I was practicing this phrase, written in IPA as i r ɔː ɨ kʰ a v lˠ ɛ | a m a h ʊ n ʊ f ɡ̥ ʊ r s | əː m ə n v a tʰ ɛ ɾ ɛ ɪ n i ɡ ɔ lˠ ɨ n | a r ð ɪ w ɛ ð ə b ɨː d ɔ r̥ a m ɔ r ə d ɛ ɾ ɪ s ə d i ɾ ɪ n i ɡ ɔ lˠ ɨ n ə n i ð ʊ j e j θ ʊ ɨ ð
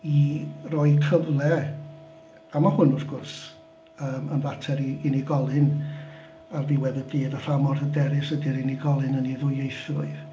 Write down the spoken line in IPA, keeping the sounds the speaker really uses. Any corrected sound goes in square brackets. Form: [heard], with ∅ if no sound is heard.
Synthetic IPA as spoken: i r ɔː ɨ kʰ [ə] v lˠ ɛ | a m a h ʊ n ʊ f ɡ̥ ʊ r s | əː m ə n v a tʰ ɛ ɾ [i] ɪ n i ɡ ɔ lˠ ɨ n | a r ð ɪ w ɛ ð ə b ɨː d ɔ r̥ a m ɔ r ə d ɛ ɾ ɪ s ə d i ɾ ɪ n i ɡ ɔ lˠ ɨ n ə n i ð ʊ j e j θ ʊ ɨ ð